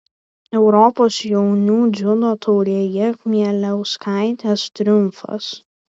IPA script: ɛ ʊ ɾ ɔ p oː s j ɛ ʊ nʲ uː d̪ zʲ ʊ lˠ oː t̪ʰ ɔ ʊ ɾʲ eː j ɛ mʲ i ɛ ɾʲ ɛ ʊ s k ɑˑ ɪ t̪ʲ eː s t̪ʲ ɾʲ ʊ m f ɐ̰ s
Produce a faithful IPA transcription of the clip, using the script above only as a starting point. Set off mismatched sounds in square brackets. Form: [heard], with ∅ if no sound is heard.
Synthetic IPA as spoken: ɛ ʊ ɾ ɔ p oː s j ɛ ʊ nʲ uː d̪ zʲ ʊ lˠ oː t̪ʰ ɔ ʊ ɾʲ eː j ɛ mʲ i ɛ [lʲ] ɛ ʊ s k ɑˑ ɪ t̪ʲ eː s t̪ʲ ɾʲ ʊ m f ɐ̰ s